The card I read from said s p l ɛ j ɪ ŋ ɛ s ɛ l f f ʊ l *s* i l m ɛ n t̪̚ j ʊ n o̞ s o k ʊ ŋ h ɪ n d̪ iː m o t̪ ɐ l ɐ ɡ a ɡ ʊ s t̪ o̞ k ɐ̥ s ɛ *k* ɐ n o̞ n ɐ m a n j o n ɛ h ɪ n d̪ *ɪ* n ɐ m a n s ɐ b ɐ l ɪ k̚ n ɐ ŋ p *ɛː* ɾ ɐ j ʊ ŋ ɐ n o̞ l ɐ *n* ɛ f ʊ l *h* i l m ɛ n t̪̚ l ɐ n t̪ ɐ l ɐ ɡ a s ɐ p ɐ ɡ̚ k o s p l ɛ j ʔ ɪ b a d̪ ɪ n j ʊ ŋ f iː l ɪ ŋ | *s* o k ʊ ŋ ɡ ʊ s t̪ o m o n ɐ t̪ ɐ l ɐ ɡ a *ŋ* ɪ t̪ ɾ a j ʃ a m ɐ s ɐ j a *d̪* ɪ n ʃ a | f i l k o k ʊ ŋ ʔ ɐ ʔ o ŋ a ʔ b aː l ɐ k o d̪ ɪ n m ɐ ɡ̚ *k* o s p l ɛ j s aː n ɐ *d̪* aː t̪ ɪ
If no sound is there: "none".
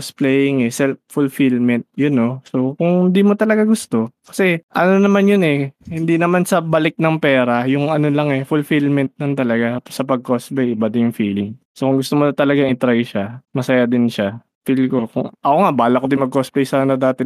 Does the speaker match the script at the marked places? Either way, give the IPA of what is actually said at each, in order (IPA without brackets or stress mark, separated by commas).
f, ʔ, i, ɛː, ŋ, f, s, ŋ, d̪, k, d̪